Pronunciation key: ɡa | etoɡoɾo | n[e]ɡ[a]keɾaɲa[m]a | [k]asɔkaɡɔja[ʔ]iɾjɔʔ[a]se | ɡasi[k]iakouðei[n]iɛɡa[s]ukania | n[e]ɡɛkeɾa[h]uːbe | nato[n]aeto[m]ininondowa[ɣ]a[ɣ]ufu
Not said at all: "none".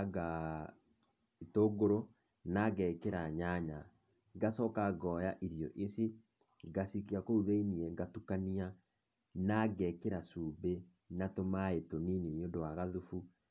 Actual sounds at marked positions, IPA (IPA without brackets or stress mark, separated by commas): a, ɛ, ɲ, ɡ, ʔ, e, k, n, t, a, s, m, n, ɣ, ð